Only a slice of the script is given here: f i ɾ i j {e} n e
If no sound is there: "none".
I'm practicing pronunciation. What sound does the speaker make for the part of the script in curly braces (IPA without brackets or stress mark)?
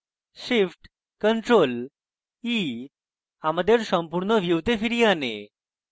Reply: a